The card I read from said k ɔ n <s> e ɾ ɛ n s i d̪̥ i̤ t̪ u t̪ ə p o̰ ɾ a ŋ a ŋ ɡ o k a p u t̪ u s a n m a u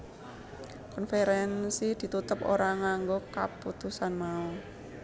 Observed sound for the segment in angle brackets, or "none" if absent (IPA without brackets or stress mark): f